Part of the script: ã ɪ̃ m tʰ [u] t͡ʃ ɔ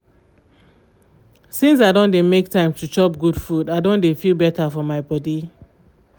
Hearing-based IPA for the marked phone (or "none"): u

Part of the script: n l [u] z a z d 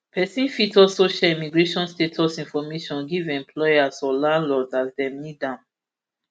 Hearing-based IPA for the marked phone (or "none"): ɔ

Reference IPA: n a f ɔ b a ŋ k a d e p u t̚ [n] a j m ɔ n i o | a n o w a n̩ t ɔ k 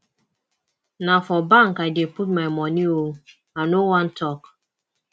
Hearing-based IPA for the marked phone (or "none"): m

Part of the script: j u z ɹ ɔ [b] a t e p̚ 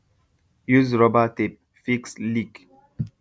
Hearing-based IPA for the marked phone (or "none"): b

